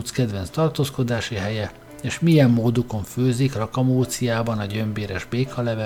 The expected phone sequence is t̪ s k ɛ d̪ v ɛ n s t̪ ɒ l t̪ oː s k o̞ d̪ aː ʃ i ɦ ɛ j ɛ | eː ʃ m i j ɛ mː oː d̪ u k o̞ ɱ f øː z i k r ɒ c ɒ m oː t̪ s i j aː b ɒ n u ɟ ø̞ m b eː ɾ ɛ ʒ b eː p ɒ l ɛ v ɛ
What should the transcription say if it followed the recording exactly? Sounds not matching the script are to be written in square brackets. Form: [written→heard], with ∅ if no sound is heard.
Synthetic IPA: t̪ s k ɛ d̪ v ɛ n s t̪ ɒ [l→r] t̪ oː s k o̞ d̪ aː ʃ i ɦ ɛ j ɛ | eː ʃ m i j ɛ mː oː d̪ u k o̞ ɱ f øː z i k r ɒ [c→k] ɒ m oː t̪ s i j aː b ɒ n [u→ɒ] ɟ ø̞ m b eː ɾ ɛ ʒ b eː [p→k] ɒ l ɛ v ɛ